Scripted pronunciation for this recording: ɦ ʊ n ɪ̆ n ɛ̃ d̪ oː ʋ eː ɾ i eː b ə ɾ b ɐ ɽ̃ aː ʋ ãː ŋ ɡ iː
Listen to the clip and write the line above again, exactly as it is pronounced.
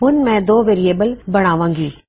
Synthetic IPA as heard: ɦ ʊ n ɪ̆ m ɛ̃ d̪ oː ʋ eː ɾ i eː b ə l b ɐ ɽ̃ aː ʋ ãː ŋ ɡ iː